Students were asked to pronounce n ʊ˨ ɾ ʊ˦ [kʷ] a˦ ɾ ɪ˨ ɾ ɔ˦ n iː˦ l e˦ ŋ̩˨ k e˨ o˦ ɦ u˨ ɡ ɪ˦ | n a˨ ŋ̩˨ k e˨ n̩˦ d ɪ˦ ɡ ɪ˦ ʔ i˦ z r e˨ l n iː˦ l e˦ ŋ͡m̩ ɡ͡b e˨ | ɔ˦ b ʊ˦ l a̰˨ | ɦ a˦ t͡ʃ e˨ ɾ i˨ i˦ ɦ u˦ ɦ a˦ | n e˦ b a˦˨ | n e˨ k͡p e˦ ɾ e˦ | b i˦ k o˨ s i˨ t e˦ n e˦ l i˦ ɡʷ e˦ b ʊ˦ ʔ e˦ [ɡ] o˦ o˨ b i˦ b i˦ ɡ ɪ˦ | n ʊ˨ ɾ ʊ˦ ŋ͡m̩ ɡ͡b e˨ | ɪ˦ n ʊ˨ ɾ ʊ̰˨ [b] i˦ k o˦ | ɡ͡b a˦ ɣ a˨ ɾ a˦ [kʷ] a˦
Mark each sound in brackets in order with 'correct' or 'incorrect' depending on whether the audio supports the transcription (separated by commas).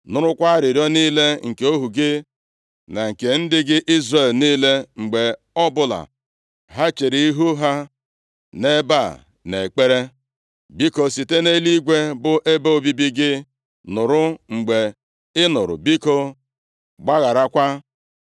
correct, incorrect, correct, correct